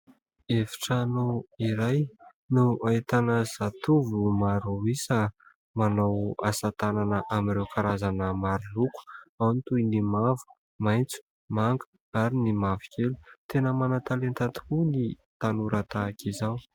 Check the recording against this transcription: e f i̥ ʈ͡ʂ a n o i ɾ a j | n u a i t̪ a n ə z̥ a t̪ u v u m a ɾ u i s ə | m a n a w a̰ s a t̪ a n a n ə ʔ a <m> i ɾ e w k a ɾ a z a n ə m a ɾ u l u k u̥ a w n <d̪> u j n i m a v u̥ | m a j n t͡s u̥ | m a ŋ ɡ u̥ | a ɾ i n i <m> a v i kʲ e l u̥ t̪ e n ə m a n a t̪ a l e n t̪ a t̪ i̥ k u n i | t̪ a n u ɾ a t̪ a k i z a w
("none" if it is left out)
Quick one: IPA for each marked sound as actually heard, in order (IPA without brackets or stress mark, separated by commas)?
m, t̪, m